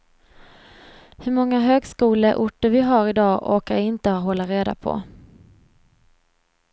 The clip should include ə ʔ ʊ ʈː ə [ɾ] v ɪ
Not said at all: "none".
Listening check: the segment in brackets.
ɾ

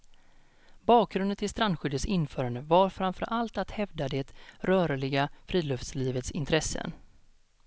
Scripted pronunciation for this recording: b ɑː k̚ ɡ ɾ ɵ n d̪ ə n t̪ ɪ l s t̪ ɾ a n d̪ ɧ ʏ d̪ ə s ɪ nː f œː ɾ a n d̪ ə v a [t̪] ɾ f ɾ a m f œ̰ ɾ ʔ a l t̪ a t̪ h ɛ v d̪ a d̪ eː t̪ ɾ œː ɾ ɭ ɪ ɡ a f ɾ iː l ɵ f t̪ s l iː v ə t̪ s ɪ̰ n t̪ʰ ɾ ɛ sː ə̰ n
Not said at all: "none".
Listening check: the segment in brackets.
none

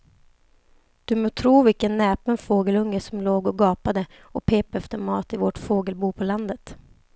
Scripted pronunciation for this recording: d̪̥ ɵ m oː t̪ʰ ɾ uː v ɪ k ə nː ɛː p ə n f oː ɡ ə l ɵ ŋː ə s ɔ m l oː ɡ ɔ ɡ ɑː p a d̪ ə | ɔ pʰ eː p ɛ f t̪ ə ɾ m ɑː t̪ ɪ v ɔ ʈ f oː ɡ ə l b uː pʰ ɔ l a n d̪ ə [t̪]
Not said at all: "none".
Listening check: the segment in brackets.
t̪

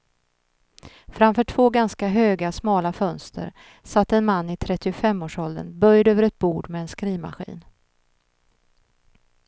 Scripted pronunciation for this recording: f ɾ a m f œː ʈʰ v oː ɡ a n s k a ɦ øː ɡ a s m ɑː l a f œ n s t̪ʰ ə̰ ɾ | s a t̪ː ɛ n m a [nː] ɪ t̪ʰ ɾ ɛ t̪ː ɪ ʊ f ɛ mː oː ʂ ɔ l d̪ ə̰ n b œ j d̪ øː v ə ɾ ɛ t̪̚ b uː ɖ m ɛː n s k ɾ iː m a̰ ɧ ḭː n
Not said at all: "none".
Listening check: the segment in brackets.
nː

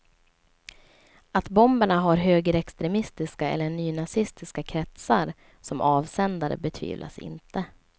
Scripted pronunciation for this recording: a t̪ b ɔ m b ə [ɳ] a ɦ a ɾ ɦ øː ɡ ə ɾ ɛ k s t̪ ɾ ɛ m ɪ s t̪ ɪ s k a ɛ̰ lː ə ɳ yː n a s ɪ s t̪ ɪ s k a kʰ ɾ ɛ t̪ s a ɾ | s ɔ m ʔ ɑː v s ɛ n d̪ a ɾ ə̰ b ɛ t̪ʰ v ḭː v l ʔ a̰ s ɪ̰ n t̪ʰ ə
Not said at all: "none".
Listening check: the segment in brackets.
ɳ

